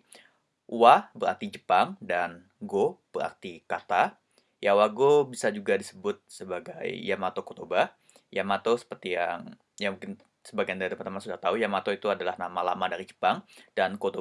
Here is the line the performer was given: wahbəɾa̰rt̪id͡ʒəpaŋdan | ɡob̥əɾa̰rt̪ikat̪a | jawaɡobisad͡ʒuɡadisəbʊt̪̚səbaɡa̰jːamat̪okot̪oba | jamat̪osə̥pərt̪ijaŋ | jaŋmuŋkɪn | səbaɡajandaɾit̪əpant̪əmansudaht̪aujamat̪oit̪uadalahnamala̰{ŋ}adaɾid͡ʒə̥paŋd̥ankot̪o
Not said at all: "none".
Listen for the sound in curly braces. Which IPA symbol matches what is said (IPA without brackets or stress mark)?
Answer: m